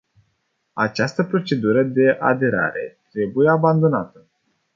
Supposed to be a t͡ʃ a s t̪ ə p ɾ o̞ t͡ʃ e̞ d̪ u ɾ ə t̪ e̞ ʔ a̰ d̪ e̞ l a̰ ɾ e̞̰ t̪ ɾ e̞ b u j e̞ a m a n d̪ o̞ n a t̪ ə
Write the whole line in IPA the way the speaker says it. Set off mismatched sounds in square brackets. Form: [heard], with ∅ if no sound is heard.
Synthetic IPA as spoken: a t͡ʃ a s t̪ ə p ɾ o̞ t͡ʃ e̞ d̪ u ɾ ə [d̪] e̞ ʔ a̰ d̪ e̞ [ɾ] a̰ ɾ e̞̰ t̪ ɾ e̞ b u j e̞ a [b] a n d̪ o̞ n a t̪ ə